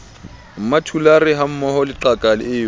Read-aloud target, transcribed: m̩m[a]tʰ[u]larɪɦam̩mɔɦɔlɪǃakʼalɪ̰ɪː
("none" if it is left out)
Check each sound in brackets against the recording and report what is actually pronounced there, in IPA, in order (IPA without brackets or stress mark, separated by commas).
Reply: a, u